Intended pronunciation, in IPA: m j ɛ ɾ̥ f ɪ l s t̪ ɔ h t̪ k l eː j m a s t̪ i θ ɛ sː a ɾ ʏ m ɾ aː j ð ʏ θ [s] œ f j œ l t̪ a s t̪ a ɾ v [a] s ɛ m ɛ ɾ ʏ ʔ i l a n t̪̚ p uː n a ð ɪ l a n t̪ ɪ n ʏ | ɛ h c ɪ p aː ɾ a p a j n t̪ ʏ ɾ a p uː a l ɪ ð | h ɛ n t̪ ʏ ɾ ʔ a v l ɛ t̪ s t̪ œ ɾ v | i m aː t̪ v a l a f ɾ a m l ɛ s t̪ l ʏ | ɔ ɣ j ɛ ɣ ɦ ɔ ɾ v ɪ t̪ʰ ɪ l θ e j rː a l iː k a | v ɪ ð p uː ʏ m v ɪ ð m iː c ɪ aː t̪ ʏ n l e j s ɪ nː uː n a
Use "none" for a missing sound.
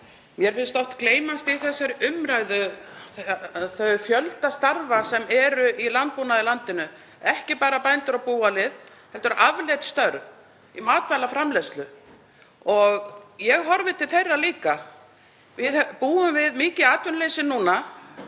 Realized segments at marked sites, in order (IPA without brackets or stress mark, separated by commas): θ, a